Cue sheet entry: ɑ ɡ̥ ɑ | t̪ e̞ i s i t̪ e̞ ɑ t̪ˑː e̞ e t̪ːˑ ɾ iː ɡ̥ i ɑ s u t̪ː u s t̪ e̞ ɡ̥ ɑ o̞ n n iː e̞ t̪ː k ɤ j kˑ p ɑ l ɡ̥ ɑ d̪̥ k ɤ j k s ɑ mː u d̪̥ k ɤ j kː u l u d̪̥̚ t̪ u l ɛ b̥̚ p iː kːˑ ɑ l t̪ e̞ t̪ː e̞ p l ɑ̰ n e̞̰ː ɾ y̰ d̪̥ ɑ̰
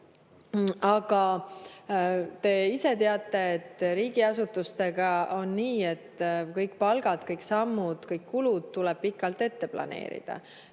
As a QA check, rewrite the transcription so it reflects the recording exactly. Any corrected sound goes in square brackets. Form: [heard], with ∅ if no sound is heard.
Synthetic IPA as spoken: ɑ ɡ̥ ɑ | t̪ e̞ i s [e] t̪ e̞ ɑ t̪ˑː e̞ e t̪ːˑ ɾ iː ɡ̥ i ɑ s u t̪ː u s t̪ e̞ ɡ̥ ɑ o̞ n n iː e̞ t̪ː k ɤ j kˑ p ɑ l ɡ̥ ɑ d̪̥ k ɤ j k s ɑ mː u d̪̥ k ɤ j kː u l u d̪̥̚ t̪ u l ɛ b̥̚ p [i] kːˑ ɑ l t̪ e̞ t̪ː e̞ p l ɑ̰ n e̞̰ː ɾ [ḭ] d̪̥ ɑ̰